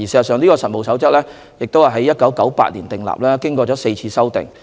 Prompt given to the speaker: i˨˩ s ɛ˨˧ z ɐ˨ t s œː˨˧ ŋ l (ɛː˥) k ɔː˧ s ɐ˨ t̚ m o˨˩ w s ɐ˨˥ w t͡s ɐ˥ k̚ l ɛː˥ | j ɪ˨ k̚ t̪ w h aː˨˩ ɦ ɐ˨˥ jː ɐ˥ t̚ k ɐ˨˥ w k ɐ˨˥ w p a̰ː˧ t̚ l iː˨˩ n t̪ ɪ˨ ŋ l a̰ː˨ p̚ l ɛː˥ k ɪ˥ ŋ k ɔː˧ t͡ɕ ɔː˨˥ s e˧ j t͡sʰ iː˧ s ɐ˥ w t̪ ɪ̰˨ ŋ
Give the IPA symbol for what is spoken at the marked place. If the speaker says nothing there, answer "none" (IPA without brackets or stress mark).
iː˥